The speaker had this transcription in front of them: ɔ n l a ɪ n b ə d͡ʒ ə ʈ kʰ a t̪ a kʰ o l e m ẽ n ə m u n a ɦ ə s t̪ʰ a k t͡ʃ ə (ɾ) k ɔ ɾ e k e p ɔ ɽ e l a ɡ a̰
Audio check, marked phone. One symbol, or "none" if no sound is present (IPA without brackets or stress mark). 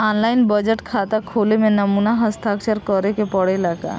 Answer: ɾ